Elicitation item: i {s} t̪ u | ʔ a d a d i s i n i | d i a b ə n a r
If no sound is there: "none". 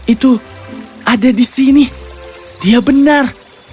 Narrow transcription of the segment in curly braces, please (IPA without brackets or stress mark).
none